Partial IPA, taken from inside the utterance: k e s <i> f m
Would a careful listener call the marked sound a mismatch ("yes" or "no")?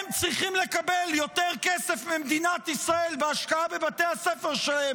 yes